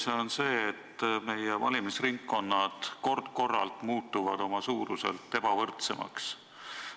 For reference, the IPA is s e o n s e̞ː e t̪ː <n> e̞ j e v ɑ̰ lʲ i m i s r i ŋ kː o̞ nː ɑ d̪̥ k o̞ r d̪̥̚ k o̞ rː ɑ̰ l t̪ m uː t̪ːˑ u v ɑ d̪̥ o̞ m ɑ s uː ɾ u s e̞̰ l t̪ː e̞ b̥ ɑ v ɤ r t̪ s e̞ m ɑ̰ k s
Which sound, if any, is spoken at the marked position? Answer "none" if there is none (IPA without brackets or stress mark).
m